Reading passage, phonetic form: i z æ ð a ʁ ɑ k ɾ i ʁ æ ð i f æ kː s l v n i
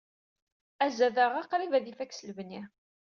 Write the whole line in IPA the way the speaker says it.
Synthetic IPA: æ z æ ð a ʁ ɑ q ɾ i v æ ð i f æ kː s l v n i